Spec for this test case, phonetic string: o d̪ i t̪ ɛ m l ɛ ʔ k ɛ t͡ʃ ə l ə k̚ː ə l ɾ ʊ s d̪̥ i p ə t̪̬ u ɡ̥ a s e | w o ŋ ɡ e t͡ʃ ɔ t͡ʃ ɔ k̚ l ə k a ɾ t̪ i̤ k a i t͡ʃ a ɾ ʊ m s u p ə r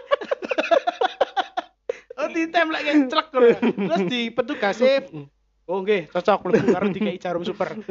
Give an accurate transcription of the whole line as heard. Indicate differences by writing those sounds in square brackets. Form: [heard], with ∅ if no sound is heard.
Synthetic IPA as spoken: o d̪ i t̪ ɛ m l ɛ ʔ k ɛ t͡ʃ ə l ə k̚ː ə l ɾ ʊ s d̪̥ i p ə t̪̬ u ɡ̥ a s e | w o ŋ ɡ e t͡ʃ ɔ t͡ʃ ɔ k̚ l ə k a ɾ [d̪] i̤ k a i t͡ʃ a ɾ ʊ m s u p ə r